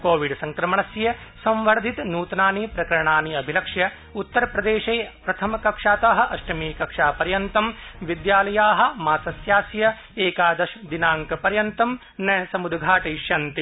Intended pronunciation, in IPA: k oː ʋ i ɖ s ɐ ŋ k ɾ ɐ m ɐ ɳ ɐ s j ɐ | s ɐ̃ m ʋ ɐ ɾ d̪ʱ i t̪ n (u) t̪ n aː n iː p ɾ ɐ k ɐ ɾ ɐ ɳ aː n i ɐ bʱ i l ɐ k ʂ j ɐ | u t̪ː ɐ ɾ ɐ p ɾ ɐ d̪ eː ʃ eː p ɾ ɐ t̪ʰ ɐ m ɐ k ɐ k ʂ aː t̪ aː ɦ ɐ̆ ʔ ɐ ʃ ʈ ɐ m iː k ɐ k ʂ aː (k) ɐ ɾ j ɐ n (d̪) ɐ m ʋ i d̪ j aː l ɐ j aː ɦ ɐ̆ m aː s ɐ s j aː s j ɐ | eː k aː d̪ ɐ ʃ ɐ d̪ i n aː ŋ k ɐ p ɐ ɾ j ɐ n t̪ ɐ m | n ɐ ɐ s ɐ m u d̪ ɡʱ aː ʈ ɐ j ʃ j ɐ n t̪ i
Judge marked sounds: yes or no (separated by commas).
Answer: no, no, no